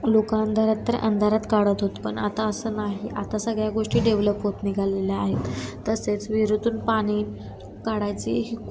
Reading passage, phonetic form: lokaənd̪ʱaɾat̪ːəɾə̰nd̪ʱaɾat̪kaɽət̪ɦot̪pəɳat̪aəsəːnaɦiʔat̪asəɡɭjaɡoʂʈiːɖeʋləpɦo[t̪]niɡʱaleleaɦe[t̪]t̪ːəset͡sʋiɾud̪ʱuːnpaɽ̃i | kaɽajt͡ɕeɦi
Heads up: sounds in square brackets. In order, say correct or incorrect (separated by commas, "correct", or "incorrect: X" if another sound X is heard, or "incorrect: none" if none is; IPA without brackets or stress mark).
correct, correct